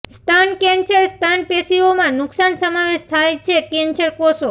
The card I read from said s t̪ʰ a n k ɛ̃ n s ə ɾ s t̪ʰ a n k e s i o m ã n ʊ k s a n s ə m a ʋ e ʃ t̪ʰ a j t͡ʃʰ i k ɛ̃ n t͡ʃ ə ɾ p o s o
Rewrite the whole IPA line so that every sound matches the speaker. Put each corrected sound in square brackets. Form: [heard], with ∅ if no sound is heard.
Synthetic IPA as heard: s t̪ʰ a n k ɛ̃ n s ə ɾ s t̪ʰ a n [p] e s i o m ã n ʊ k s a n s ə m a ʋ e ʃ t̪ʰ a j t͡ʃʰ [e] k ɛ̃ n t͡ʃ ə ɾ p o s o